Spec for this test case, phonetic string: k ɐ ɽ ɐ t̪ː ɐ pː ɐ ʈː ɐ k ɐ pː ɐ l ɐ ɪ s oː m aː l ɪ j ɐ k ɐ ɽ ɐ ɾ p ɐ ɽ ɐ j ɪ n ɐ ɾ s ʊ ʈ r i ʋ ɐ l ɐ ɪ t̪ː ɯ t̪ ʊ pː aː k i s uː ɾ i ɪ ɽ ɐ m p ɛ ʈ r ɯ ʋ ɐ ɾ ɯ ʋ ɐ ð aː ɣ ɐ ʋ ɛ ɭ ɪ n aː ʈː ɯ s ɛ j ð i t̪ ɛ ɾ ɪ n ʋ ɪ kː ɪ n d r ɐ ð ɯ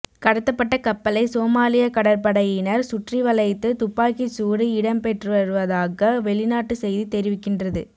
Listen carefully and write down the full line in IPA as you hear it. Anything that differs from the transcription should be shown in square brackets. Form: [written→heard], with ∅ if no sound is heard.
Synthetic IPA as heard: k ɐ ɽ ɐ t̪ː ɐ pː ɐ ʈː ɐ k ɐ pː ɐ l ɐ ɪ s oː m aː l ɪ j ɐ k ɐ ɽ ɐ ɾ p ɐ ɽ ɐ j ɪ n ɐ ɾ s ʊ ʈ r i ʋ ɐ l ɐ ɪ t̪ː ɯ t̪ ʊ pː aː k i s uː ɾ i ɪ ɽ ɐ m p ɛ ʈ r ɯ ʋ ɐ ɾ ɯ ʋ ɐ ð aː ɣ ɐ ʋ ɛ ɭ ɪ n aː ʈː ɯ s ɛ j ð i t̪ ɛ ɾ ɪ [n→∅] ʋ ɪ kː ɪ n d r ɐ ð ɯ

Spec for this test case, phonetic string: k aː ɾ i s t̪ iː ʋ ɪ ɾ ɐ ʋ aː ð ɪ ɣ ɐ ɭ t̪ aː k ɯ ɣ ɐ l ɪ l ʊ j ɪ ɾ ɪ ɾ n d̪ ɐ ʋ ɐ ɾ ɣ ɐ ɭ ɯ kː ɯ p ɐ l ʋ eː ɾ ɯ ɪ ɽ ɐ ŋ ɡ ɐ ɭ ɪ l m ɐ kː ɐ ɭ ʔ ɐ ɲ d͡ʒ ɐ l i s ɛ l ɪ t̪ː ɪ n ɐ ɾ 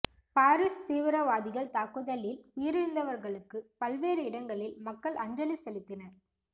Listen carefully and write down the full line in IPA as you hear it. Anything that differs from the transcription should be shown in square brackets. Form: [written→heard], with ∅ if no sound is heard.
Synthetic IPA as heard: [k→p] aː ɾ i s t̪ iː ʋ ɪ ɾ ɐ ʋ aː ð ɪ ɣ ɐ ɭ t̪ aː k ɯ [ɣ→ð] ɐ l ɪ l ʊ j ɪ ɾ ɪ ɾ n d̪ ɐ ʋ ɐ ɾ ɣ ɐ ɭ ɯ kː ɯ p ɐ l ʋ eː ɾ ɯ ɪ ɽ ɐ ŋ ɡ ɐ ɭ ɪ l m ɐ kː ɐ ɭ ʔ ɐ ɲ d͡ʒ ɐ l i s ɛ l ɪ t̪ː ɪ n ɐ ɾ

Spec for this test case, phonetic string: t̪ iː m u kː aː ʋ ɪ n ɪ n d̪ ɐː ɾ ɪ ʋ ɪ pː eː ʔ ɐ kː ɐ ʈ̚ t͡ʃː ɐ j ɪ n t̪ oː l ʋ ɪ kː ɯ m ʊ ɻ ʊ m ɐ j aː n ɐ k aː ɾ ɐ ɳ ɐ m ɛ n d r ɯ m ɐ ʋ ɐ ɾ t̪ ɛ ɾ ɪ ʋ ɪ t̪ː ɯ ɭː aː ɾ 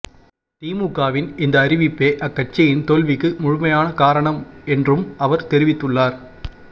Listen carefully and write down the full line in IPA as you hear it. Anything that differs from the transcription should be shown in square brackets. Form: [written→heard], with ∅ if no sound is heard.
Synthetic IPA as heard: t̪ iː m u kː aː ʋ ɪ n ɪ n d̪ ɐː ɾ ɪ ʋ ɪ pː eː ʔ ɐ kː ɐ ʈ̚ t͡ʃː ɐ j ɪ n t̪ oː l ʋ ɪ kː ɯ m ʊ ɻ ʊ m ɐ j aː n ɐ k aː ɾ ɐ ɳ ɐ m ɛ n d r ɯ m ɐ ʋ ɐ ɾ t̪ ɛ ɾ ɪ ʋ ɪ t̪ː ɯ ɭː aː ɾ

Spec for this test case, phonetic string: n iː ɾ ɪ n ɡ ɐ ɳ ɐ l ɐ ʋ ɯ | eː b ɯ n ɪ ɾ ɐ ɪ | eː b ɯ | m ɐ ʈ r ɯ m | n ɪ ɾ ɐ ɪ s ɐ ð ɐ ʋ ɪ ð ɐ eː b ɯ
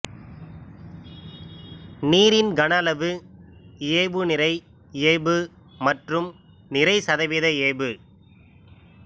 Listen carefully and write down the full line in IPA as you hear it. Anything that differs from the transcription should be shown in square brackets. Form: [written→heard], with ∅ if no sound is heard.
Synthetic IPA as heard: n iː ɾ ɪ n ɡ ɐ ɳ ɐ l ɐ ʋ ɯ | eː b ɯ n ɪ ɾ ɐ ɪ | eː b ɯ | m ɐ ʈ r ɯ m | n ɪ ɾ ɐ ɪ s ɐ ð ɐ ʋ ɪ ð ɐ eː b ɯ

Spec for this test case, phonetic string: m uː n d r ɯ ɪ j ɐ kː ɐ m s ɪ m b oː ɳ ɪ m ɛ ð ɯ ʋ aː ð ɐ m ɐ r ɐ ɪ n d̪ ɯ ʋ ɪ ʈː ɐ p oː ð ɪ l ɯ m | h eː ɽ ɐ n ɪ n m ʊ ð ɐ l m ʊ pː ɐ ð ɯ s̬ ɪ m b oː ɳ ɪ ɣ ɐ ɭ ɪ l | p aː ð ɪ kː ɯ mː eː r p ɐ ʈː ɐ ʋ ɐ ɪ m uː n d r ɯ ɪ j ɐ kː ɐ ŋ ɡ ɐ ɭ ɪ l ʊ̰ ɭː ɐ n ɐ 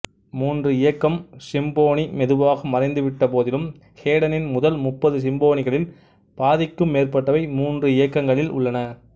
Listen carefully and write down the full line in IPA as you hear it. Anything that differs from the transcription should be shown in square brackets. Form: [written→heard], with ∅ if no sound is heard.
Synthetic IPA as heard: m uː n d r ɯ ɪ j ɐ kː ɐ m s ɪ m b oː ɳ [ɪ→i] m ɛ ð ɯ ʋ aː [ð→ɣ] ɐ m ɐ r ɐ ɪ n d̪ ɯ ʋ ɪ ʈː ɐ p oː ð ɪ l ɯ m | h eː ɽ ɐ n ɪ n m ʊ ð ɐ l m ʊ pː ɐ ð ɯ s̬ ɪ m b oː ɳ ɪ ɣ ɐ ɭ ɪ l | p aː ð ɪ kː ɯ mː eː r p ɐ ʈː ɐ ʋ ɐ ɪ m uː n d r ɯ ɪ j ɐ kː ɐ ŋ ɡ ɐ ɭ ɪ l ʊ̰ ɭː ɐ n ɐ

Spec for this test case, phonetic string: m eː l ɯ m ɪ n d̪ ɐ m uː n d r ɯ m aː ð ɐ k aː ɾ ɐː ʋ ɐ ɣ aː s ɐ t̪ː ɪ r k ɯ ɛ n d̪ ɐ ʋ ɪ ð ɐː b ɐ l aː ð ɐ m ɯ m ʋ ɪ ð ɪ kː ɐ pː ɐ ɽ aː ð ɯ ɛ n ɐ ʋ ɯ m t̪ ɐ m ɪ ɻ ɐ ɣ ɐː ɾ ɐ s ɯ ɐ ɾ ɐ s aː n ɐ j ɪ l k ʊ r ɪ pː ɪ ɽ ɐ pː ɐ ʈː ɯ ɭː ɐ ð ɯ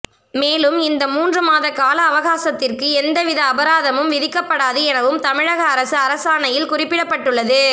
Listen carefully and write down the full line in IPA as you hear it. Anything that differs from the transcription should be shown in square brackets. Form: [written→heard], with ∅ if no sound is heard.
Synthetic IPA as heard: m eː l ɯ m ɪ n d̪ ɐ m uː n d r ɯ m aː ð ɐ k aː [ɾ→l] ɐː ʋ ɐ ɣ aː s ɐ t̪ː ɪ r k ɯ ɛ n d̪ ɐ ʋ ɪ ð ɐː b ɐ [l→ɾ] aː ð ɐ m ɯ m ʋ ɪ ð ɪ kː ɐ pː ɐ ɽ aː ð ɯ ɛ n ɐ ʋ ɯ m t̪ ɐ m ɪ ɻ ɐ ɣ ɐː ɾ ɐ s ɯ ɐ ɾ ɐ s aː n ɐ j ɪ l k ʊ r ɪ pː ɪ ɽ ɐ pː ɐ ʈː ɯ ɭː ɐ ð ɯ

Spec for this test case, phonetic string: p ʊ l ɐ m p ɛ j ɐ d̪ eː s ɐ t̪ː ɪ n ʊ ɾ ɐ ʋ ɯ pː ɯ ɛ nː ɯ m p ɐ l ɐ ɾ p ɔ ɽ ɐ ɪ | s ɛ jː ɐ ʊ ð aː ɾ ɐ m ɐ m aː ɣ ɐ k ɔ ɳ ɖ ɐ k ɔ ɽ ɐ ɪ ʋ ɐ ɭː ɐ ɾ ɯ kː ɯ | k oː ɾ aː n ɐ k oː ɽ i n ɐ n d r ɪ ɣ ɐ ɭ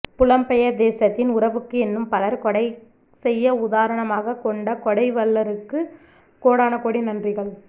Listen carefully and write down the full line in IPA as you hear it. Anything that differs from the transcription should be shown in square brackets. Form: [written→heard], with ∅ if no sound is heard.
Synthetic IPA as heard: p ʊ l ɐ m p ɛ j ɐ d̪ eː s ɐ t̪ː ɪ n ʊ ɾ ɐ ʋ ɯ [pː→kː] ɯ ɛ nː ɯ m p ɐ l ɐ ɾ [p→k] ɔ ɽ ɐ ɪ | s ɛ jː ɐ ʊ ð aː ɾ ɐ [m→ɳ] ɐ m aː ɣ ɐ k ɔ ɳ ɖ ɐ k ɔ ɽ ɐ ɪ ʋ ɐ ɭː ɐ ɾ ɯ kː ɯ | k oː [ɾ→ɽ] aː n ɐ k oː ɽ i n ɐ n d r ɪ ɣ ɐ ɭ

